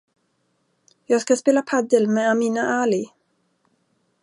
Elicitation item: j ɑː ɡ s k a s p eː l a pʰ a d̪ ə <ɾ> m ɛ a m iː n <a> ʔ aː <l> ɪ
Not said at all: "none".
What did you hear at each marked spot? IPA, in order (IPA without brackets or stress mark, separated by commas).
l, a, l